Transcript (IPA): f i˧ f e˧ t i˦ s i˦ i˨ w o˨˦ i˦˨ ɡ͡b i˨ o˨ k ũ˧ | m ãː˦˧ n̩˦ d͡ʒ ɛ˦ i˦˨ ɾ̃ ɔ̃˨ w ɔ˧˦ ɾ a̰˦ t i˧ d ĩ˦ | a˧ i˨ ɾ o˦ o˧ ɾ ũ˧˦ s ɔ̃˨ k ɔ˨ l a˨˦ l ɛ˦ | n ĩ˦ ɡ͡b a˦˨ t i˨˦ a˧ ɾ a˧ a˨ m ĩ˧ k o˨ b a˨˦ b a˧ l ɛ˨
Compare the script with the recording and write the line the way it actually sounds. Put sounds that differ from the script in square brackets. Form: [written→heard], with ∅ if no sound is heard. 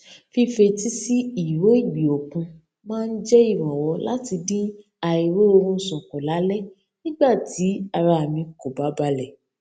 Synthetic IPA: f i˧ f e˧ t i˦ s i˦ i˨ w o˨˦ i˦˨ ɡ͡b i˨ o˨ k ũ˧ | m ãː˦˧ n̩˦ d͡ʒ ɛ˦ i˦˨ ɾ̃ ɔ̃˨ w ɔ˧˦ [ɾ→l] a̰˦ t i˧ d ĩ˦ | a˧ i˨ ɾ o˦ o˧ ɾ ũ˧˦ s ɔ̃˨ k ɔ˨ l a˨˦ l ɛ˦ | n ĩ˦ ɡ͡b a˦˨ t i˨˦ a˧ ɾ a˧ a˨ m ĩ˧ k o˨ b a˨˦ b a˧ l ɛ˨